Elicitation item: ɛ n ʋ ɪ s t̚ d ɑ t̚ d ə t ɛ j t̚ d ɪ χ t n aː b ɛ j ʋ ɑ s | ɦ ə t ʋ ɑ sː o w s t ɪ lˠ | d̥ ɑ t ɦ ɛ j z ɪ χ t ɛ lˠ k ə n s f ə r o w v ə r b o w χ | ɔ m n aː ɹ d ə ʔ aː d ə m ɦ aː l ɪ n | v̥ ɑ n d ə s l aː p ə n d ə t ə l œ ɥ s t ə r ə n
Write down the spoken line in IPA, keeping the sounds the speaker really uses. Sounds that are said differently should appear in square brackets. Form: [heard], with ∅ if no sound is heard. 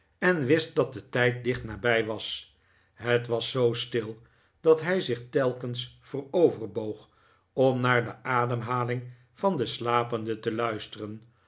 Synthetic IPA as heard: ɛ n ʋ ɪ s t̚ d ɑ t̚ d ə t ɛ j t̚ d ɪ χ t n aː b ɛ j ʋ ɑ s | ɦ ə t ʋ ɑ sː o w s t ɪ lˠ | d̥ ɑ t ɦ ɛ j z ɪ χ t ɛ lˠ k ə n s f ə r o w v ə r b o w χ | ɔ m n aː ɹ d ə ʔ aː d ə m ɦ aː l ɪ [ŋ] | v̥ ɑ n d ə s l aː p ə n d ə t ə l œ ɥ s t ə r ə n